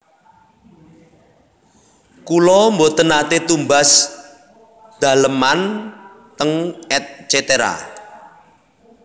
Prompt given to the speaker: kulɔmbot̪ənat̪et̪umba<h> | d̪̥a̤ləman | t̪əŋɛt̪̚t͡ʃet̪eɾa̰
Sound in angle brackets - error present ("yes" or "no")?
yes